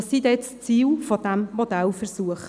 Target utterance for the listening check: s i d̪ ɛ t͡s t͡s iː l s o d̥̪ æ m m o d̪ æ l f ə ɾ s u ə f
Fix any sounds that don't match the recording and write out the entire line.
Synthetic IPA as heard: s i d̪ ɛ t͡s t͡s iː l f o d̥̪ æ m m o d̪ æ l f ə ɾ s u ə χ